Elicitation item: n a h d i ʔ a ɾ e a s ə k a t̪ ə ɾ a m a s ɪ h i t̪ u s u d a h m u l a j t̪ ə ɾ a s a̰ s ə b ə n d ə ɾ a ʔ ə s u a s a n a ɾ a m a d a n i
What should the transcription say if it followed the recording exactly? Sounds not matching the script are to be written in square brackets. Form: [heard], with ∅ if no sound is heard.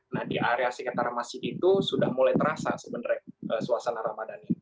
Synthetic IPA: n a h d i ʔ a ɾ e a s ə k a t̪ [a] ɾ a m a s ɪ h i t̪ u s u d a h m u l a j t̪ ə ɾ a s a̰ s ə b ə n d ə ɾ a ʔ ə s u a s a n a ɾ a m a d a n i